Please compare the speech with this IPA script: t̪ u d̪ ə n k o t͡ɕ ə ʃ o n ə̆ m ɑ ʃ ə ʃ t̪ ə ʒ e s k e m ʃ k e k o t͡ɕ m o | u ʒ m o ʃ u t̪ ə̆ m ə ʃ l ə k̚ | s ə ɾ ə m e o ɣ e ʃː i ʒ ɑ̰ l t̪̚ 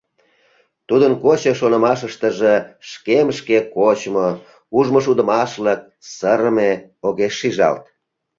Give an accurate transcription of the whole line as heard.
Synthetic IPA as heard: t̪ u d̪ ə n k o t͡ɕ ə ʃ o n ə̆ m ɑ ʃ ə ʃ t̪ ə ʒ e ʃ k e m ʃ k e k o t͡ɕ m o | u ʒ m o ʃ u d̪ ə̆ m ɑ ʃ l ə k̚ | s ə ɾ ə m e o ɣ e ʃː i ʒ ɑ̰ l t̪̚